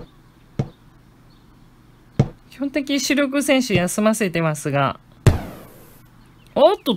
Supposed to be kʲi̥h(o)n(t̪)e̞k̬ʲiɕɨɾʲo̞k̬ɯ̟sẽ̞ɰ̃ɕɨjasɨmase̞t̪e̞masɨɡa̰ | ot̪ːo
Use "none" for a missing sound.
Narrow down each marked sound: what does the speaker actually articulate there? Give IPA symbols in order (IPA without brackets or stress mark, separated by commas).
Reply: õ, t̪